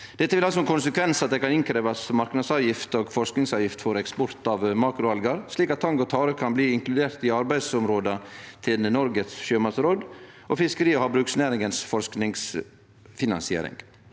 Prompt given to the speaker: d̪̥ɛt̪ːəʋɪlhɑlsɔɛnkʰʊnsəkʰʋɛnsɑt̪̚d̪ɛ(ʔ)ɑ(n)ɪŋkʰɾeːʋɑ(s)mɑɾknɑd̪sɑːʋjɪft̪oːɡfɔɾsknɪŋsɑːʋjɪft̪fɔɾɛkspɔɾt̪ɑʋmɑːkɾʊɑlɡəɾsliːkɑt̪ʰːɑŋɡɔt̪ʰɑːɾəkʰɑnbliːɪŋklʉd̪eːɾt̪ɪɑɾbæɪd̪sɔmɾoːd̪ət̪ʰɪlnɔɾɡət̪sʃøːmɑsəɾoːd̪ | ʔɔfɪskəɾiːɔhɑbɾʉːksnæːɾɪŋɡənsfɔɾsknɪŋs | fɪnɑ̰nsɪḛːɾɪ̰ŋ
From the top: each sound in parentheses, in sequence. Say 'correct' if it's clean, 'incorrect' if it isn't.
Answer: incorrect: k, correct, correct

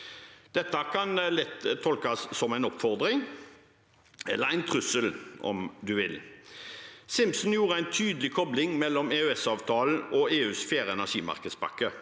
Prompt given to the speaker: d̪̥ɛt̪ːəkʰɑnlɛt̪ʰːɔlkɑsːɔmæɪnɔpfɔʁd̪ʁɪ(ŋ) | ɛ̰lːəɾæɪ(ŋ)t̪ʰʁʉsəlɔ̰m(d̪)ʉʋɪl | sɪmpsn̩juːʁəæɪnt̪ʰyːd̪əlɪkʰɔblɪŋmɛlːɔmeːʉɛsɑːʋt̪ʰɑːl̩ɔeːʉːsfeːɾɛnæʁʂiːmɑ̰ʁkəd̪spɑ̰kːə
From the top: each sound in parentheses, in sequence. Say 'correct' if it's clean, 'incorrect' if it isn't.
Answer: correct, incorrect: n, correct

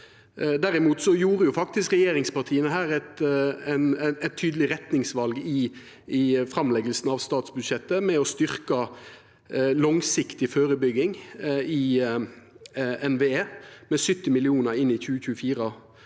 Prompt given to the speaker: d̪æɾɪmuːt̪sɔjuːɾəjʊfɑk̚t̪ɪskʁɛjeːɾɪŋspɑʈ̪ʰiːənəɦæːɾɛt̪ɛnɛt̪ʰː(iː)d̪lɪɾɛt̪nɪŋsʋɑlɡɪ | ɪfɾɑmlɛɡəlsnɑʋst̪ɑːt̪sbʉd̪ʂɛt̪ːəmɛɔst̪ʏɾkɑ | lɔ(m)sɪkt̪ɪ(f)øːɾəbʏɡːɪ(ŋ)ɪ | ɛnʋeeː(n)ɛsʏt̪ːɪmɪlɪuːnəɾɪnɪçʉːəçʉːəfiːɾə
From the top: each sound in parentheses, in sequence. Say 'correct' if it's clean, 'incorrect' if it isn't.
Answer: incorrect: yː, incorrect: ŋ, correct, correct, incorrect: m

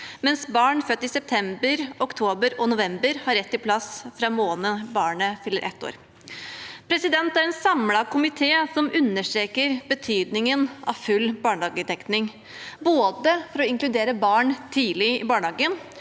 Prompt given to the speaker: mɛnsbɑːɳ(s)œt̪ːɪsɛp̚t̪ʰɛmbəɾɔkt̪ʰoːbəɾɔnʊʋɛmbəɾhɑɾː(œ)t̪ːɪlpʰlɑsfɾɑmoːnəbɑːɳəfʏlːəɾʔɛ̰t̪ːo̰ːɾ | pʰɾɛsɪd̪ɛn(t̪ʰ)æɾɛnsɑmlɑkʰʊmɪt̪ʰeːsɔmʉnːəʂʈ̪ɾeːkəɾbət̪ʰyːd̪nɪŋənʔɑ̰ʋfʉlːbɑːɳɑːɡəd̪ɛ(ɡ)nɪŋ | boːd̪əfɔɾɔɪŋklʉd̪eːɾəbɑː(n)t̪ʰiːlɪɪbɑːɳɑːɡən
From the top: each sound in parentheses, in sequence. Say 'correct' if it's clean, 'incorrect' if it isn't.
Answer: incorrect: f, incorrect: ɛ, incorrect: t̪, incorrect: k, incorrect: ɳ

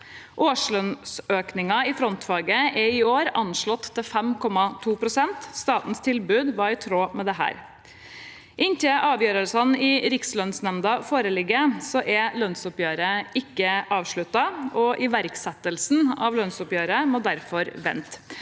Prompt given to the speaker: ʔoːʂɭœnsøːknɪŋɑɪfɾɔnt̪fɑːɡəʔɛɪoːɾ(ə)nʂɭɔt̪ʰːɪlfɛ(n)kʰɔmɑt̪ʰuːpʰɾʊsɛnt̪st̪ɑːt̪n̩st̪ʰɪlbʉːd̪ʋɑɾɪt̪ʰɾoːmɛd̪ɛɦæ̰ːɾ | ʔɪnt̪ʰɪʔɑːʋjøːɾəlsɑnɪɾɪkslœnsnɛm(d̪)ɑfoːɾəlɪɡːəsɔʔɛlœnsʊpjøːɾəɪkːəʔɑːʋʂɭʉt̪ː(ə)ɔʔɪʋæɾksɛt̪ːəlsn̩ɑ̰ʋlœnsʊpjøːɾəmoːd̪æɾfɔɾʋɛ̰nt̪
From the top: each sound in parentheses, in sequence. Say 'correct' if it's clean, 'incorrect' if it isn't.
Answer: incorrect: ɑ, incorrect: m, correct, incorrect: ɑ

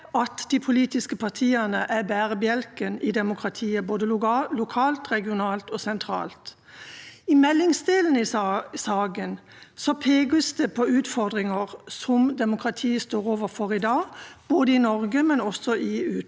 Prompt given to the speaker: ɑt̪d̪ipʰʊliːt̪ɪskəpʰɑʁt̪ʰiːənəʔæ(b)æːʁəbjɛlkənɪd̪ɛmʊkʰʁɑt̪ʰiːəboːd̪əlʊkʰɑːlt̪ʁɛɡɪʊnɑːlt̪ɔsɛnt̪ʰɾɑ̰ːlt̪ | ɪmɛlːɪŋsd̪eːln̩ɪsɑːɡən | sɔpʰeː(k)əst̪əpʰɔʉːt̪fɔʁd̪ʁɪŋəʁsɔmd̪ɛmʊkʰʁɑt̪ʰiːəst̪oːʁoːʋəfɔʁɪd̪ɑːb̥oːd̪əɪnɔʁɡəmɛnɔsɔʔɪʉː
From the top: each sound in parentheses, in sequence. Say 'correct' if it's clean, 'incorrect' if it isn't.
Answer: correct, incorrect: ɡ

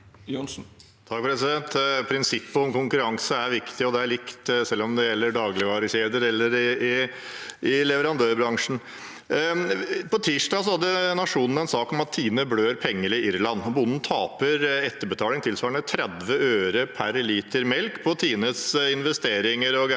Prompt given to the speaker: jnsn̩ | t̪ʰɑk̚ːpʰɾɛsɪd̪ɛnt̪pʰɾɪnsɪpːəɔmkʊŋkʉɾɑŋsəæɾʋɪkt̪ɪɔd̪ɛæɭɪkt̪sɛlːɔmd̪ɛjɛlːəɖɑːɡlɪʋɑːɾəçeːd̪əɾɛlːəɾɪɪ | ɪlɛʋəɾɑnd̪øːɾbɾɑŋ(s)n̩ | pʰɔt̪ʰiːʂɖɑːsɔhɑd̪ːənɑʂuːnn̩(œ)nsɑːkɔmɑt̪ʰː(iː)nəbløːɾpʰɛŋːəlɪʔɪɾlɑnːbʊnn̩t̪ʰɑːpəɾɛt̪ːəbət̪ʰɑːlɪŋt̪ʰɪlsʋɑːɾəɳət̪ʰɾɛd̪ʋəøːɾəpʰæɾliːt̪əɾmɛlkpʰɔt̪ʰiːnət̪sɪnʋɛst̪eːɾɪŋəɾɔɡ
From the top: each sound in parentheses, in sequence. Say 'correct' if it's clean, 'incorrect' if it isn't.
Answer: incorrect: ʂ, incorrect: ɛ, correct

